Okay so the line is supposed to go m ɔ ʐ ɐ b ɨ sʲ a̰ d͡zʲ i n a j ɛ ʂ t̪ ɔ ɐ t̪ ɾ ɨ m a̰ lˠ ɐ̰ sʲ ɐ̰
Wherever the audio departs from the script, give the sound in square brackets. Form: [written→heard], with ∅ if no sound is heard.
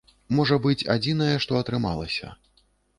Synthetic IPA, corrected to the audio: m ɔ ʐ ɐ b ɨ [sʲ→t͡sʲ] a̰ d͡zʲ i n [a→ɐ] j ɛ ʂ t̪ ɔ ɐ t̪ ɾ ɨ m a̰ lˠ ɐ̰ sʲ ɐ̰